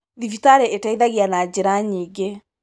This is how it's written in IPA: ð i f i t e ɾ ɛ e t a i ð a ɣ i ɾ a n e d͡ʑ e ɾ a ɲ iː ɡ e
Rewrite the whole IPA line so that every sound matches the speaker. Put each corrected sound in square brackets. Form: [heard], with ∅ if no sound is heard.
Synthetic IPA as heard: ð i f i t [a] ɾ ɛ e t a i ð a ɣ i [∅] a n [a] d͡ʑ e ɾ a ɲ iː ɡ e